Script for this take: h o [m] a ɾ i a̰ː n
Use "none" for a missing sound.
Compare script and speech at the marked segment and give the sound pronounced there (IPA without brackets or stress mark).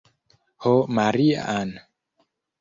m